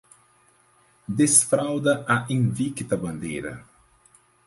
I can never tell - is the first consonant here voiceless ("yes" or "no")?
no